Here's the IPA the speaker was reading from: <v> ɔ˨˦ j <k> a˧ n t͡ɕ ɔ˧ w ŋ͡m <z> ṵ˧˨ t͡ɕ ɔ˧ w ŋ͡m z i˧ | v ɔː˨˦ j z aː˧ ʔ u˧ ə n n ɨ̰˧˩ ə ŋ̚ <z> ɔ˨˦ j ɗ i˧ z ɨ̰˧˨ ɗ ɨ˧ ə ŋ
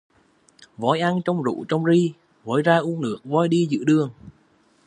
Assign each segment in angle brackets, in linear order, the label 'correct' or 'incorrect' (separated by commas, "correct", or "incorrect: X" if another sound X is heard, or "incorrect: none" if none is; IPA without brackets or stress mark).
correct, incorrect: ʔ, correct, incorrect: v